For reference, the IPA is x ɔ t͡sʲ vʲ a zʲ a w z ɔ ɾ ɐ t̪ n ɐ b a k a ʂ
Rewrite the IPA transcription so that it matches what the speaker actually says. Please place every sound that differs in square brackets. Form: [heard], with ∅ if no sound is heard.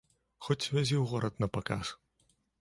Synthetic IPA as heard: x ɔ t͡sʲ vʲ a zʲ [i] w [ɣ] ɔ ɾ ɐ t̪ n ɐ [p] a k a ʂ